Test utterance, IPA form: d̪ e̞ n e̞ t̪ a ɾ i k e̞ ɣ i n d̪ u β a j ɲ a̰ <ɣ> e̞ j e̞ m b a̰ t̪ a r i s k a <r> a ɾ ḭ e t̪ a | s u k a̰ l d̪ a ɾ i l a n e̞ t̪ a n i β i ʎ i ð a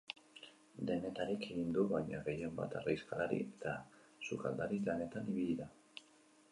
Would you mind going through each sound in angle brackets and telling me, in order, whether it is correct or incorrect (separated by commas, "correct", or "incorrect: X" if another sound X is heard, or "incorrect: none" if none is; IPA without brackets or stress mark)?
correct, incorrect: l